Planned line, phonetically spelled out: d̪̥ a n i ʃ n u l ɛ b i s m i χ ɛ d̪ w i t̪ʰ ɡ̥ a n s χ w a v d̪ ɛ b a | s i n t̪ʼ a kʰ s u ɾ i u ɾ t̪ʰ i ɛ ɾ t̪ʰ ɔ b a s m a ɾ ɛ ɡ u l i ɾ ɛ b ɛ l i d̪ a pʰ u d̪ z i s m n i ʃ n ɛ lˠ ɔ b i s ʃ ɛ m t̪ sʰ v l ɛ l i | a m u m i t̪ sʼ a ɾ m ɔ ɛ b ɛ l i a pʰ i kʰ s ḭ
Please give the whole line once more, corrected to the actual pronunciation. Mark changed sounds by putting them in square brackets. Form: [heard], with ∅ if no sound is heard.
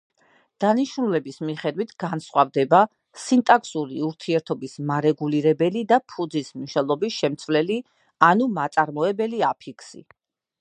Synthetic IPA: d̪̥ a n i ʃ n u l ɛ b i s m i χ ɛ d̪ w i t̪ʰ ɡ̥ a n s χ w a v d̪ ɛ b a | s i n t̪ʼ a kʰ s u ɾ i u ɾ t̪ʰ i ɛ ɾ t̪ʰ ɔ b [i] s m a ɾ ɛ ɡ u l i ɾ ɛ b ɛ l i d̪ a pʰ u d̪ z i s m n i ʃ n ɛ lˠ ɔ b i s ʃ ɛ m t̪ sʰ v l ɛ l i | a [n] u m [a] t̪ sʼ a ɾ m ɔ ɛ b ɛ l i a pʰ i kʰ s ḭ